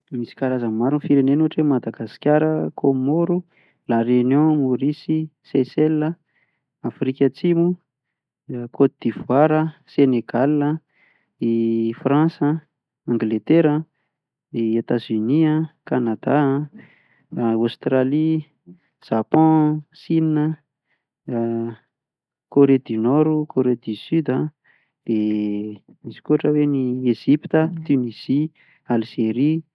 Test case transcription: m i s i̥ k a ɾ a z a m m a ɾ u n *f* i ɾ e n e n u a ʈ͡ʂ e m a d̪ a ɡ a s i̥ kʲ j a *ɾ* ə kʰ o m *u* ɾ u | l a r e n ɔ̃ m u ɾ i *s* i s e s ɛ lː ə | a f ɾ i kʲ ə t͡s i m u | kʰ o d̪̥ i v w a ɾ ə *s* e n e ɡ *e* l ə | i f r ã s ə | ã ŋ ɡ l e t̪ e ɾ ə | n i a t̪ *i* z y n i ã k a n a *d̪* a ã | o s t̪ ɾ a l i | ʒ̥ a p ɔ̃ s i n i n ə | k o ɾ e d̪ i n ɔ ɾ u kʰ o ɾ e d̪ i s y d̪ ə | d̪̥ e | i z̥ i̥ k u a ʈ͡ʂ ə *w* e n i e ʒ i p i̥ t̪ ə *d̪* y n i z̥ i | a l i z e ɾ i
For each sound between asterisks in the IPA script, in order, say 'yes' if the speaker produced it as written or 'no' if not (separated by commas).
yes, yes, no, yes, yes, no, no, yes, yes, no